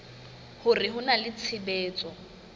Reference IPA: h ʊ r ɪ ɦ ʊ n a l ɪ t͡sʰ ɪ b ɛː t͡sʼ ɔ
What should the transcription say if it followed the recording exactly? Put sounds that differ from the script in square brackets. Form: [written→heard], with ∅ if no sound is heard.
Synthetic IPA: h ʊ r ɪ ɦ ʊ n a l ɪ t͡sʰ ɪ b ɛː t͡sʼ ɔ